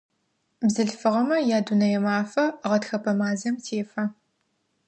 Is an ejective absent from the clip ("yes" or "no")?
yes